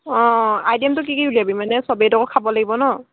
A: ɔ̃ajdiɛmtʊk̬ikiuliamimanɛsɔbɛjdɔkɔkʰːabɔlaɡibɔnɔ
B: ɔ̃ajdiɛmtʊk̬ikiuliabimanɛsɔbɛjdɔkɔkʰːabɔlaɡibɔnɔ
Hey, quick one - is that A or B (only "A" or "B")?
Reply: B